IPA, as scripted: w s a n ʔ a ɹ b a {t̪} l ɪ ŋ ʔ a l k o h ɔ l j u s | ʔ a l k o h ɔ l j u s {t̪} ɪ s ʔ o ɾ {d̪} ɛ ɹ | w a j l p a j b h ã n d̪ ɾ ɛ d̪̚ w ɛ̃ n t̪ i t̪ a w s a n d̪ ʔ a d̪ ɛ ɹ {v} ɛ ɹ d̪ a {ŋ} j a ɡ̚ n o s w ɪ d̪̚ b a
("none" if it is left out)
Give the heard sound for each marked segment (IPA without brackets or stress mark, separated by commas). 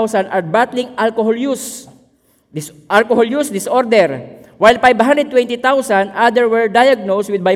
t̪, d̪, d̪, w, none